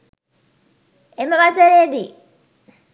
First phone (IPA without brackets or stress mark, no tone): e